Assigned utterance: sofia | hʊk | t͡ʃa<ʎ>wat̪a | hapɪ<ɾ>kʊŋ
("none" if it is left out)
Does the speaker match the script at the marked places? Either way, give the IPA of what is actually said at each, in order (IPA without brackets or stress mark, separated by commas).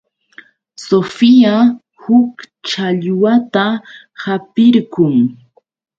ʎ, ɾ